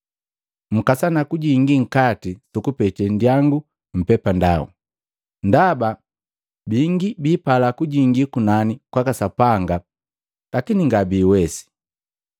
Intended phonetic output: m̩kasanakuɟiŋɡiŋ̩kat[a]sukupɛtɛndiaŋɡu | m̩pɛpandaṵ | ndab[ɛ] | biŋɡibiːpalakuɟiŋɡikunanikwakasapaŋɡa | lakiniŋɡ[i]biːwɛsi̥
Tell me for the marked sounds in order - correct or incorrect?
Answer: incorrect, incorrect, incorrect

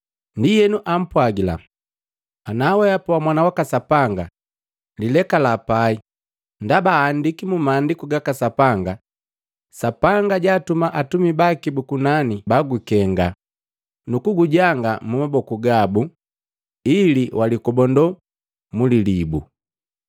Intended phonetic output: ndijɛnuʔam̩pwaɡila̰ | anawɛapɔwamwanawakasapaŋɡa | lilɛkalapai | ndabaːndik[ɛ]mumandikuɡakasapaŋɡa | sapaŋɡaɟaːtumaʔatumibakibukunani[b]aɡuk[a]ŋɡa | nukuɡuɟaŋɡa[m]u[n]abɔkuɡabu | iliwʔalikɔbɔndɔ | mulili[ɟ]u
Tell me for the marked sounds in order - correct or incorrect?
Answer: incorrect, correct, incorrect, correct, incorrect, incorrect

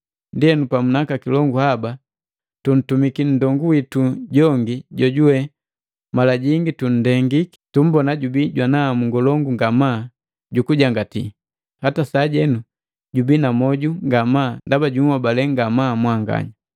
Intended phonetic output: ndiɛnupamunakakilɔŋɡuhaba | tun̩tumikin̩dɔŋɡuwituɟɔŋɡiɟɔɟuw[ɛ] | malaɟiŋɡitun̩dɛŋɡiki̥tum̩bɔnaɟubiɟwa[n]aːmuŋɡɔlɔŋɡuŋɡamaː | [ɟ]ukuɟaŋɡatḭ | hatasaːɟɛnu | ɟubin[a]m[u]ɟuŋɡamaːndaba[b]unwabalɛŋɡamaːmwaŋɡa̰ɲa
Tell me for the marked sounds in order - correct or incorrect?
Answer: correct, correct, correct, correct, incorrect, incorrect

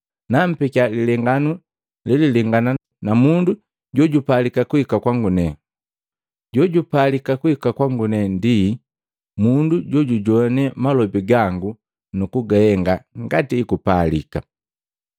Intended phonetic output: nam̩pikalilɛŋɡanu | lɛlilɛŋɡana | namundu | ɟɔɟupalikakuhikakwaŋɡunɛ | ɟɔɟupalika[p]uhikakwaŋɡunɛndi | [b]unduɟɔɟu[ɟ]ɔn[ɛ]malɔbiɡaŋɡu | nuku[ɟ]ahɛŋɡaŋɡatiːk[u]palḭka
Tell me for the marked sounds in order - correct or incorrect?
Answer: incorrect, incorrect, correct, correct, incorrect, correct

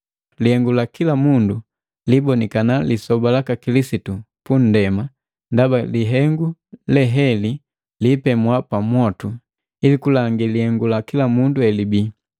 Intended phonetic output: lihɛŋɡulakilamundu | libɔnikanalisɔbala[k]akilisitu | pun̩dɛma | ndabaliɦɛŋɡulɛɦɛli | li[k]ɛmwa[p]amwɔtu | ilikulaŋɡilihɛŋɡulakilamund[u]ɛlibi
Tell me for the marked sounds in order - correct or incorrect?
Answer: correct, incorrect, correct, correct

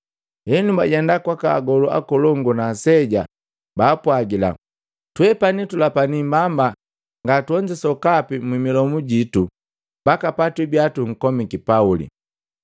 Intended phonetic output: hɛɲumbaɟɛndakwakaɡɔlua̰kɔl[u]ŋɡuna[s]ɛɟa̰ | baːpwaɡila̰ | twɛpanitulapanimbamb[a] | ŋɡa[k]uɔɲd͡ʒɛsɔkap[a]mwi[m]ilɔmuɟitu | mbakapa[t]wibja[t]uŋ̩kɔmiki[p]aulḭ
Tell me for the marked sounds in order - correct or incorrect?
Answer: incorrect, correct, correct, incorrect, incorrect, correct, correct, correct, correct

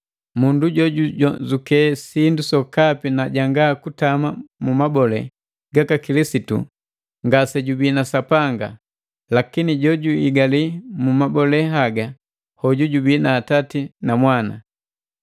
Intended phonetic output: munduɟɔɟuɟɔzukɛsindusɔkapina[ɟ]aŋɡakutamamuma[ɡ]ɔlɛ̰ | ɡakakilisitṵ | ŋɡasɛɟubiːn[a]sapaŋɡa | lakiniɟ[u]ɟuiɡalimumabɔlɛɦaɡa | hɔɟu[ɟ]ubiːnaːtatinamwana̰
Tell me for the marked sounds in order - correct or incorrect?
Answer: correct, incorrect, correct, incorrect, correct

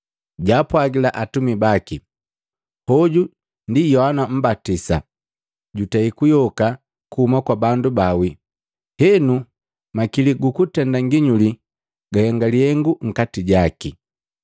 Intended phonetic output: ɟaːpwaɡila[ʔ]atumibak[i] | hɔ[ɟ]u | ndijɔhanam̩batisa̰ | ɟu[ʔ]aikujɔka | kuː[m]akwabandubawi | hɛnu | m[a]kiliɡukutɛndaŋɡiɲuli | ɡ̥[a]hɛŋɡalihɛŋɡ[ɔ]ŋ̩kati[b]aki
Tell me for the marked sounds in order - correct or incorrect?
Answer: correct, correct, correct, incorrect, correct, correct, correct, incorrect, incorrect

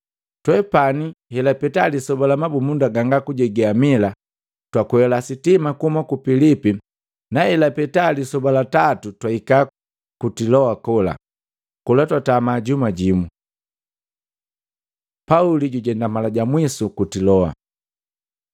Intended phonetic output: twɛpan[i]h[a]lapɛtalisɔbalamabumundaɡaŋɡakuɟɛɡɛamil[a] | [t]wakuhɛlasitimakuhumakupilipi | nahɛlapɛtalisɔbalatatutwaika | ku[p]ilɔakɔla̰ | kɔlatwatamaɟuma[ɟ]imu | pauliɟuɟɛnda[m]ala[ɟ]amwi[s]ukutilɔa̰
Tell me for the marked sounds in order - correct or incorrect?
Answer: correct, incorrect, correct, correct, incorrect, correct, correct, correct, correct

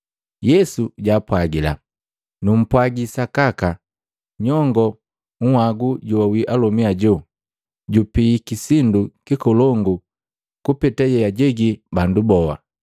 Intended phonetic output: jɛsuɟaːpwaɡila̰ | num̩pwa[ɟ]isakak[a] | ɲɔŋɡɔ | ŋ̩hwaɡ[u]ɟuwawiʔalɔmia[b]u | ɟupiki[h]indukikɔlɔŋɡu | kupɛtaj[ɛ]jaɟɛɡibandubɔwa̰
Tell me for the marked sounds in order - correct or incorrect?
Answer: incorrect, correct, correct, incorrect, incorrect, correct

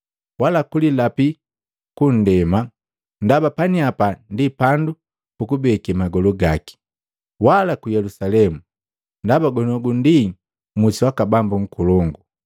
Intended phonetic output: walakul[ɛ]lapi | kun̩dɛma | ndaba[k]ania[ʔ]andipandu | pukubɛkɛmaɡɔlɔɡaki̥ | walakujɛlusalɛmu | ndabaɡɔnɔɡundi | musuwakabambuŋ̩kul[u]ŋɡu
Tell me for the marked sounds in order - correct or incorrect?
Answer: incorrect, incorrect, incorrect, incorrect

